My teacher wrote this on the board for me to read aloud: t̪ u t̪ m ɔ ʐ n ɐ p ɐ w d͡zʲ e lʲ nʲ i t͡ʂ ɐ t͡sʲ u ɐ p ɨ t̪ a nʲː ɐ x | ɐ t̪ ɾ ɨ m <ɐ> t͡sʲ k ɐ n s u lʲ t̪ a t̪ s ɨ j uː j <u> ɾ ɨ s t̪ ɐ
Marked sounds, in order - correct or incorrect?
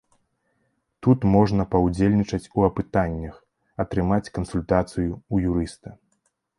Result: incorrect: a, correct

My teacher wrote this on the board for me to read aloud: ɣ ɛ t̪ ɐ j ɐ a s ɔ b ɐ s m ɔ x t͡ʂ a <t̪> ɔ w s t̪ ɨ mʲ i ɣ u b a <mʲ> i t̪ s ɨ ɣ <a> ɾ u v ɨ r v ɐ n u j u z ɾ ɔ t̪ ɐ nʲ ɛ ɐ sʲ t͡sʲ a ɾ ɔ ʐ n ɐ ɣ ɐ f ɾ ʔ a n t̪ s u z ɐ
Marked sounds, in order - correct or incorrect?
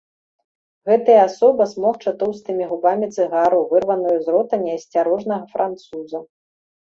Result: correct, correct, correct

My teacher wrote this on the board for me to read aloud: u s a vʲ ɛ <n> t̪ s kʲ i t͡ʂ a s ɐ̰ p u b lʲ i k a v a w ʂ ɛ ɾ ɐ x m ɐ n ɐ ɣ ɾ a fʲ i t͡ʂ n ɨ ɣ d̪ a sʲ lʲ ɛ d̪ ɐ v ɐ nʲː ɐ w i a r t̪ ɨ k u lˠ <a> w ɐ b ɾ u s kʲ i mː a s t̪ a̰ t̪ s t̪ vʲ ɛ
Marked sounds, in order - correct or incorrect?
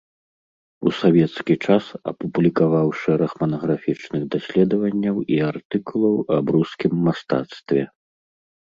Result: incorrect: none, incorrect: ɐ

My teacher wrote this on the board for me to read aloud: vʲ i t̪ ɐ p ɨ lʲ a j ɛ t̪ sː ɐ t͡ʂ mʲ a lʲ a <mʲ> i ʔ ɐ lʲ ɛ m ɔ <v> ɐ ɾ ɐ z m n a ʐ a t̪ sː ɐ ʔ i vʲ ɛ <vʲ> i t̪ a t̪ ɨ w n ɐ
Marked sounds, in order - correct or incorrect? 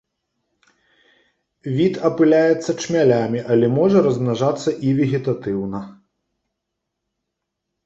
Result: correct, incorrect: ʐ, incorrect: ɣʲ

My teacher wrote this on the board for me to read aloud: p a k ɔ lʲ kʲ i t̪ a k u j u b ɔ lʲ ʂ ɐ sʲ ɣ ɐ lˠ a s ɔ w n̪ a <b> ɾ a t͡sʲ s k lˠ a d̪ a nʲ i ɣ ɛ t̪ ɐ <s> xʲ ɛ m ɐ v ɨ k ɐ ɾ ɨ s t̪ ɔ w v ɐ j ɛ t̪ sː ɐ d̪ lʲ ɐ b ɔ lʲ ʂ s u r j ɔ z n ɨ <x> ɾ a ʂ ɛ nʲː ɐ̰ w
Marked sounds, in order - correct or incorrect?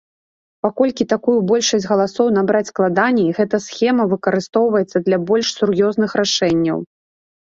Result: correct, correct, correct

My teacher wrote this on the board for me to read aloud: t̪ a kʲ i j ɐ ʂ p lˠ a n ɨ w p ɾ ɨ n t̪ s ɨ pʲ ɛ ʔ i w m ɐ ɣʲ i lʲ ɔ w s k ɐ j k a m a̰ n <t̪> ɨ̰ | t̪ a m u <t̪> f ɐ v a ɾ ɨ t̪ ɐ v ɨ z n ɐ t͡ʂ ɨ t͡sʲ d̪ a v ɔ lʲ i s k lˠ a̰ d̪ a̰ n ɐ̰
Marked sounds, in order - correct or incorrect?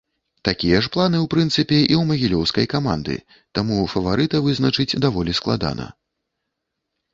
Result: incorrect: d̪, incorrect: none

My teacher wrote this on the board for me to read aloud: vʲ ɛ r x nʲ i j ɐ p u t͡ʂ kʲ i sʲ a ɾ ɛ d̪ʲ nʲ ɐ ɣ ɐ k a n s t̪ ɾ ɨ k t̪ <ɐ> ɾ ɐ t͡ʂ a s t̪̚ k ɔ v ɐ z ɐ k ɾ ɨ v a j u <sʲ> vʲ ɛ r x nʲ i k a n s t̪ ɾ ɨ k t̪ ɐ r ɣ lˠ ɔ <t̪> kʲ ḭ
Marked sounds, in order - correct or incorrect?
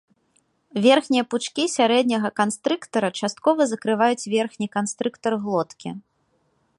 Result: correct, incorrect: t͡sʲ, correct

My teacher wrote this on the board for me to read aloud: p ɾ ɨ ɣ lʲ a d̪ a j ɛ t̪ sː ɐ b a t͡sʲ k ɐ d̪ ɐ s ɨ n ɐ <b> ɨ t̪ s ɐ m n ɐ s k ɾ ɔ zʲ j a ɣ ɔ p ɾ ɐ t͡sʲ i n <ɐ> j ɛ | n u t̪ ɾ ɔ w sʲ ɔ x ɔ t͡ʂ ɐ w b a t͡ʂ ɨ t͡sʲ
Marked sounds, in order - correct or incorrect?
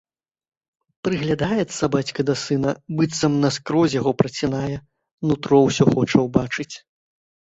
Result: correct, incorrect: a

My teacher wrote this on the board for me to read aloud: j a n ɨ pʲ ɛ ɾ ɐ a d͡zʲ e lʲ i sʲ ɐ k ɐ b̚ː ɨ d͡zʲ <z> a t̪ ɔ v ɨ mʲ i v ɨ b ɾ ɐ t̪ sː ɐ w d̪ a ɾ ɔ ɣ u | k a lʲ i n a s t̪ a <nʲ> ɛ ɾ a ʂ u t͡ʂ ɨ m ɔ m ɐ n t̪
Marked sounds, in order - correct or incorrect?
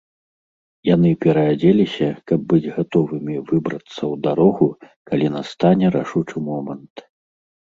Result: incorrect: ɣ, correct

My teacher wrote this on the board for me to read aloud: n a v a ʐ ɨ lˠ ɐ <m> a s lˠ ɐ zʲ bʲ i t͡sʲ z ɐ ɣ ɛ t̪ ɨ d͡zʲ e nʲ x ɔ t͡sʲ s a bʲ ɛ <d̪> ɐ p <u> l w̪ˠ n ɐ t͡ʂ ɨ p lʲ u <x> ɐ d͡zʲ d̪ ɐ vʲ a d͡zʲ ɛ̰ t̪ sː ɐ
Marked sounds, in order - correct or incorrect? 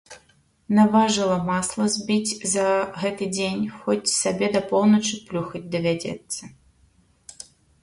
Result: correct, correct, incorrect: ɔ, correct

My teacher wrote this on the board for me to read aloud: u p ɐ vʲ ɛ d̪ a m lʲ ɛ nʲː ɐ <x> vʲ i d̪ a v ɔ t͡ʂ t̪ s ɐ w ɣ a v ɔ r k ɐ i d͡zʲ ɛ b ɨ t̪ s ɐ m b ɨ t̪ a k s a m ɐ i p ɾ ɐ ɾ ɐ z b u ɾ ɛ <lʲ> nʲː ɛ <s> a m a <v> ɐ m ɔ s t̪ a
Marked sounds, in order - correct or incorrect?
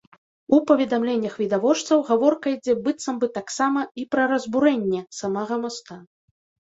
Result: correct, incorrect: none, correct, incorrect: ɣ

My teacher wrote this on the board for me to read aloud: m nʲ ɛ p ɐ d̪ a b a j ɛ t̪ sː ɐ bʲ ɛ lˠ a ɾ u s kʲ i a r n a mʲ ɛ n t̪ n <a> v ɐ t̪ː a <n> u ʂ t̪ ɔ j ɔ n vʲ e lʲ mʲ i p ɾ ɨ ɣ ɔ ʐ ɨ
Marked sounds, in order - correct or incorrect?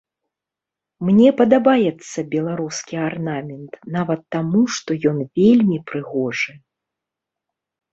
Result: correct, incorrect: m

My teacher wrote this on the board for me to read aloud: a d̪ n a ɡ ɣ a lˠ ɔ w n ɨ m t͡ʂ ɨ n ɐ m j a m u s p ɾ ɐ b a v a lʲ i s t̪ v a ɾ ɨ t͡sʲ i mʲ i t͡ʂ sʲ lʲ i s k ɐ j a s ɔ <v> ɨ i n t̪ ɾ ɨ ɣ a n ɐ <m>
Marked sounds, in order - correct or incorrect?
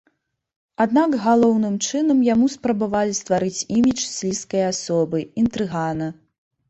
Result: incorrect: b, incorrect: none

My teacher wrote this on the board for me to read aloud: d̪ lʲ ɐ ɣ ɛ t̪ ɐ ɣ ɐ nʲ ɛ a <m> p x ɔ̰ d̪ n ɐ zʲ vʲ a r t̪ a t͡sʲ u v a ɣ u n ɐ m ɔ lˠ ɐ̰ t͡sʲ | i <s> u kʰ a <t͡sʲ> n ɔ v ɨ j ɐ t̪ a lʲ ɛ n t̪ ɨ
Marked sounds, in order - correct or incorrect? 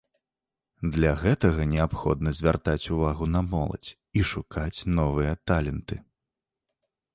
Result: incorrect: none, incorrect: ʂ, correct

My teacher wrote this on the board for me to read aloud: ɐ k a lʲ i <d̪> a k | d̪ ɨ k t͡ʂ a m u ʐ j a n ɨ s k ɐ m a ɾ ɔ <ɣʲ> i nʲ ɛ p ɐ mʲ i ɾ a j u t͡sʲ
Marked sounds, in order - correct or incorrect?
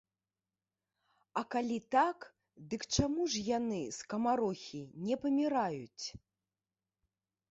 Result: incorrect: t̪, incorrect: xʲ

